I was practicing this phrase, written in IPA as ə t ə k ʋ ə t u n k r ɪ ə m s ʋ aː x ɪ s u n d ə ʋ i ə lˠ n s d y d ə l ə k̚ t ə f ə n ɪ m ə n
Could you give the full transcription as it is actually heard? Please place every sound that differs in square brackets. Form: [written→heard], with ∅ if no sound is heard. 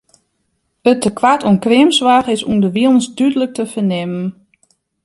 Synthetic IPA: ə t ə k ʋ [ə→a] t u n k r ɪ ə m s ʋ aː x ɪ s u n d ə ʋ i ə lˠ n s d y d ə l ə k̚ t ə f ə n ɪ m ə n